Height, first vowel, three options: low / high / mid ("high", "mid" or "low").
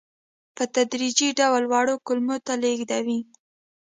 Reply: mid